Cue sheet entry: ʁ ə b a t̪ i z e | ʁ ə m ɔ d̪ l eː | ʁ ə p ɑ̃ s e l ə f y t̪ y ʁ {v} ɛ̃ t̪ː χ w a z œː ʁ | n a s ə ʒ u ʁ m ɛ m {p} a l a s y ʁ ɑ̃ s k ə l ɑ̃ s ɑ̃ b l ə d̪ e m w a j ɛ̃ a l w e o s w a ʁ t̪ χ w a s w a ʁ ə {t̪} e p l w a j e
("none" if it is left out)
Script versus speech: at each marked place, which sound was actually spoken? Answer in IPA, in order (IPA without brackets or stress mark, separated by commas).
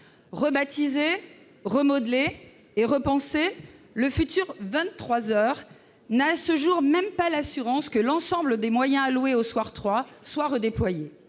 v, p, d̪